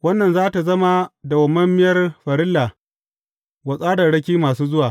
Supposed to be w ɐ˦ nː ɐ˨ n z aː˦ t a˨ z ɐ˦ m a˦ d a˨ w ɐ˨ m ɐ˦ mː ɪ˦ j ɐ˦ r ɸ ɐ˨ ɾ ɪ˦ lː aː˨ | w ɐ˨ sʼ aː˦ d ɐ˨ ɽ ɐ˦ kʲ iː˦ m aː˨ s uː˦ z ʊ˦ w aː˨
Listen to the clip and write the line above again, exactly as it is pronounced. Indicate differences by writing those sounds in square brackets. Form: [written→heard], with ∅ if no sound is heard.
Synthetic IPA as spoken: w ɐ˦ nː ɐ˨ n z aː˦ t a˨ z ɐ˦ m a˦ d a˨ w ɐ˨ m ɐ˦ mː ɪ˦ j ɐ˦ r ɸ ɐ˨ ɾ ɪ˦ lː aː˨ | w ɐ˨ sʼ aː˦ d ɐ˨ ɽ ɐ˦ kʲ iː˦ m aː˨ s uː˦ z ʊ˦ w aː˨